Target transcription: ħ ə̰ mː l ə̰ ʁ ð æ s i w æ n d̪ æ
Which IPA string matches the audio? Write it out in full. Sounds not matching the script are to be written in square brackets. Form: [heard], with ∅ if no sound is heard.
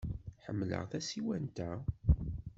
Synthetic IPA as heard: ħ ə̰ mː l ə̰ ʁ [θ] æ s i w æ n [t̪] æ

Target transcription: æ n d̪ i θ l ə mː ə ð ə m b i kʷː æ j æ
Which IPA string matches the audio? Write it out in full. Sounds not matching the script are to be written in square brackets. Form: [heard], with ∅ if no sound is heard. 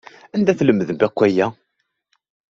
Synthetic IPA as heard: æ n d̪ [æ] θ l ə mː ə ð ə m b [æ] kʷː æ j æ

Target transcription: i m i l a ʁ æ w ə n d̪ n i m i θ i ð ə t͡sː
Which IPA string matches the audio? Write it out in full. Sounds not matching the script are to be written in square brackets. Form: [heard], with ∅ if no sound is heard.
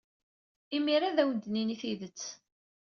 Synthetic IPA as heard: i m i [ɾ] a [ð] æ w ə n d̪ n i [n] i θ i ð ə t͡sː

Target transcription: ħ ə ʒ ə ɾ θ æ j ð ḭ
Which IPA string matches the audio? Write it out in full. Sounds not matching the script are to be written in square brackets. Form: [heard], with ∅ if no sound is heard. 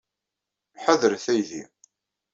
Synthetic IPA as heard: ħ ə [ð] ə ɾ θ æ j ð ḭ

